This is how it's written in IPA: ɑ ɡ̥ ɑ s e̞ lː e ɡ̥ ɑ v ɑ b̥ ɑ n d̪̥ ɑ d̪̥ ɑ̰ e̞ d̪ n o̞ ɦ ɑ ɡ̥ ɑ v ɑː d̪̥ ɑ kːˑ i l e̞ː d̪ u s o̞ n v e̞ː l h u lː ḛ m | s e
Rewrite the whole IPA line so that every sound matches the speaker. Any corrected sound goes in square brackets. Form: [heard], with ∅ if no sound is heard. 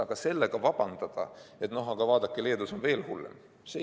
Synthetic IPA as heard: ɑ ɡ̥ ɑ s e̞ lː e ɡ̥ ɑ v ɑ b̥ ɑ n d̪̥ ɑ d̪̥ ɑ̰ e̞ [t̪] n o̞ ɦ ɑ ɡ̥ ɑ v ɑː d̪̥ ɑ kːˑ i l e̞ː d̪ u s o̞ n v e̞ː l h u lː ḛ m | s e